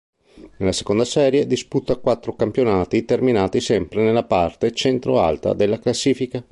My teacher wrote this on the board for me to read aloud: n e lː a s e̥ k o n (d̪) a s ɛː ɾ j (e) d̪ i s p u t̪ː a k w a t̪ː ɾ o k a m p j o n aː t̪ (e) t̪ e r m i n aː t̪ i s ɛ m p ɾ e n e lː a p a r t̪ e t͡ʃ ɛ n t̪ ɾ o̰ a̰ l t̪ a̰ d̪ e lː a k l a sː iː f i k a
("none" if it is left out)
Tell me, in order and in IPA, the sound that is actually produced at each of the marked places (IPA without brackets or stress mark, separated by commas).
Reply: d̪, e, i